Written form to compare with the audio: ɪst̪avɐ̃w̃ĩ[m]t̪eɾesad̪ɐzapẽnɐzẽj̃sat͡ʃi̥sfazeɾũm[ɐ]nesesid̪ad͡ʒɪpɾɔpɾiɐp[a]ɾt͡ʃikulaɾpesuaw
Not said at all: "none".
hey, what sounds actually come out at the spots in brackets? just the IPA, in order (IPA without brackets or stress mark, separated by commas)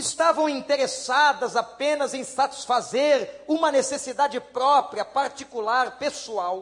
n, ɐ, a